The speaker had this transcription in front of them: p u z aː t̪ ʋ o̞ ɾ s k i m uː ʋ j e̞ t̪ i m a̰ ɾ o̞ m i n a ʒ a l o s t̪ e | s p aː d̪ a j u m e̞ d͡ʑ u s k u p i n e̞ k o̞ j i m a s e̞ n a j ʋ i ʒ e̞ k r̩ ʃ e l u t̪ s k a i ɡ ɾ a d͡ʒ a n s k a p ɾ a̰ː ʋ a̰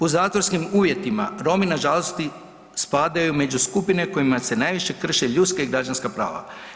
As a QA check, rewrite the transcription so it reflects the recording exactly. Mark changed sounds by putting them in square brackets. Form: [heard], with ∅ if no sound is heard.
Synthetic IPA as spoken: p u z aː t̪ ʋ o̞ ɾ s k i m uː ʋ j e̞ t̪ i m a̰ ɾ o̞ m i n a ʒ a l o s t̪ [i] | s p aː d̪ a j u m e̞ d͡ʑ u s k u p i n e̞ k o̞ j i m a s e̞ n a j ʋ i [ʃ] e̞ k r̩ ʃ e [ʎ] u t̪ s k a i ɡ ɾ a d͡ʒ a n s k a p ɾ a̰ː ʋ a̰